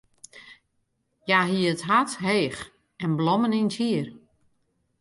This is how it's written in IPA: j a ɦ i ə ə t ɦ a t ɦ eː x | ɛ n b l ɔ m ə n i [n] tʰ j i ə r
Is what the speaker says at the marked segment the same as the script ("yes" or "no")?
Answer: yes